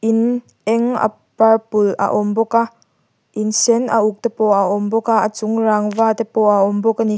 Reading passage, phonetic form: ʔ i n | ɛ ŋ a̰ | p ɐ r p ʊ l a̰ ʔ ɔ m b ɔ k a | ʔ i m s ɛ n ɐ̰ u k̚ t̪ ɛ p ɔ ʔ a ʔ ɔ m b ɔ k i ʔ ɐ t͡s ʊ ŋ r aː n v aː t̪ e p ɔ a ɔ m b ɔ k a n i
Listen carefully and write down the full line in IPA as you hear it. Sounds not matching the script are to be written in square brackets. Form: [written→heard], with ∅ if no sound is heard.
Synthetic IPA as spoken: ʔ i n | ɛ ŋ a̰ | p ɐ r p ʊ l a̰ ʔ ɔ m b ɔ k a | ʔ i [m→n] s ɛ n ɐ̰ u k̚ t̪ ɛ p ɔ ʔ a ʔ ɔ m b ɔ k [i→a] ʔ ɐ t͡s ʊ ŋ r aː [n→ŋ] v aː t̪ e p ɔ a ɔ m b ɔ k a n i